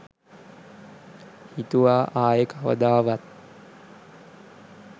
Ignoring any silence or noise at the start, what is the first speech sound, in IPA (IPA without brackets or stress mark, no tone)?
h